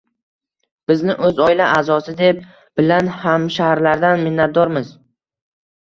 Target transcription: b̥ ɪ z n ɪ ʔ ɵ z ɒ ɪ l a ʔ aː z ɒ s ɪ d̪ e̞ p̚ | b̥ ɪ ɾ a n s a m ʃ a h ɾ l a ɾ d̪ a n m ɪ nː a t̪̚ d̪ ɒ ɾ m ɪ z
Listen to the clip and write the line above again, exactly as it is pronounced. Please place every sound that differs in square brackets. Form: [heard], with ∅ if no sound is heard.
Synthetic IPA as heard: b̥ ɪ z n ɪ ʔ ɵ z ɒ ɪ l a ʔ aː z ɒ s ɪ d̪ e̞ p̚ | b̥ ɪ [l] a n [h] a m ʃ a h ɾ l a ɾ d̪ a n m ɪ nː a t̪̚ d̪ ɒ ɾ m ɪ z